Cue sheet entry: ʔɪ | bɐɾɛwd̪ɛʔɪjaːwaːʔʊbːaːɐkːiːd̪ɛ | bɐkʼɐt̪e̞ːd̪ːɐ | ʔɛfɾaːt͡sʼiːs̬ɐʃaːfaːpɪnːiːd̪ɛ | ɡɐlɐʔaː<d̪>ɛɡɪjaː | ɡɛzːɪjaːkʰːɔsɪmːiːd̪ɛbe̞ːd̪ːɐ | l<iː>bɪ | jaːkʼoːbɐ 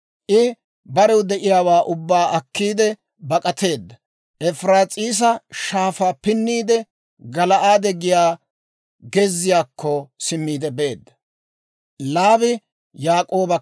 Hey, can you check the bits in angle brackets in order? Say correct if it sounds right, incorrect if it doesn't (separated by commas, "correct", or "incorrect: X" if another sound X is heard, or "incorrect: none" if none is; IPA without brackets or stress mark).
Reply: correct, incorrect: aː